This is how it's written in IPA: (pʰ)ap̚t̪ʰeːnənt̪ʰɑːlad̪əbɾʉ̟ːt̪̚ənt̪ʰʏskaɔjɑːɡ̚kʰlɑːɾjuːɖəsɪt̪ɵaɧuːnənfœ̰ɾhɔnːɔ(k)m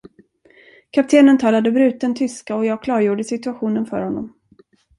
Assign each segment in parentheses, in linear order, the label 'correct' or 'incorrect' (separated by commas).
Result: incorrect, incorrect